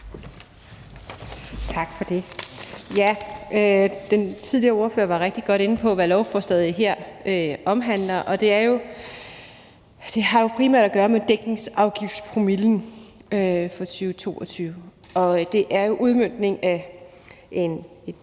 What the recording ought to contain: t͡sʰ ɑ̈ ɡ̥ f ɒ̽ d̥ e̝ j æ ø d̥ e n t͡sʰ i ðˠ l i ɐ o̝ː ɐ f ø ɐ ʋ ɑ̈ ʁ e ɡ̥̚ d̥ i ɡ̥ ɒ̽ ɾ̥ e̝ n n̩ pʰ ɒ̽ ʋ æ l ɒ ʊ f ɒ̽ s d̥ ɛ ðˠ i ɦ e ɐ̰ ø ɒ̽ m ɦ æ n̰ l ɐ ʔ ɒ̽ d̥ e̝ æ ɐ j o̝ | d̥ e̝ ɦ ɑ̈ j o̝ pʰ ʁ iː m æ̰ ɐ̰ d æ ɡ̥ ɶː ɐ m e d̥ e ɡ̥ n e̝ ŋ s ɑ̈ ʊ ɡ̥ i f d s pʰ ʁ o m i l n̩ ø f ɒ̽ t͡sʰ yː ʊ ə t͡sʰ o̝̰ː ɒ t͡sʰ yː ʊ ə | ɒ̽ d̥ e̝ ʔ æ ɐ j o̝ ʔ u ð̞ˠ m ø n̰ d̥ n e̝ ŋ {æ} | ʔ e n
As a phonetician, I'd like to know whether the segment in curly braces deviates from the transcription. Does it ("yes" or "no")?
no